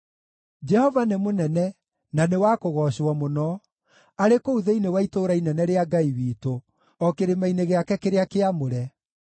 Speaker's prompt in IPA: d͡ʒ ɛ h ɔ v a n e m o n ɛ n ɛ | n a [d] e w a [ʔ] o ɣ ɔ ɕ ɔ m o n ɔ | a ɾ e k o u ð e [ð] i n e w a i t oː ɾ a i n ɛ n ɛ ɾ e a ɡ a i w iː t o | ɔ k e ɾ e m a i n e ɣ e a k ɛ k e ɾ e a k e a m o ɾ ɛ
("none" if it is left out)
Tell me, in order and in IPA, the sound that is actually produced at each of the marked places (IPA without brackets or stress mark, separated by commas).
n, k, none